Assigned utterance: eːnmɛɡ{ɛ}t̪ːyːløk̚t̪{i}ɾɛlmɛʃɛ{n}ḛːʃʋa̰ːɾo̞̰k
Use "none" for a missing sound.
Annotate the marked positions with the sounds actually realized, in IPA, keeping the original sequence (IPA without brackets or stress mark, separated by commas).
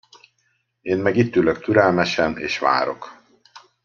i, y, n